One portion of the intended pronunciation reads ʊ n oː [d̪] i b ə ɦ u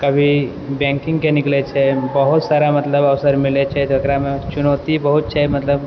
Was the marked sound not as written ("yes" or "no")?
yes